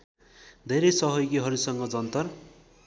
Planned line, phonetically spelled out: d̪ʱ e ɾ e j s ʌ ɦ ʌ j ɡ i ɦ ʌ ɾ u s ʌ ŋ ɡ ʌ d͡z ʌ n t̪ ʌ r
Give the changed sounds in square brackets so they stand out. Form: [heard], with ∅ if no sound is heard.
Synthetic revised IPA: d̪ʱ e ɾ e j s ʌ ɦ ʌ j ɡ i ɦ ʌ ɾ u s ʌ ŋ ɡ ʌ d͡z ʌ n t̪ ʌ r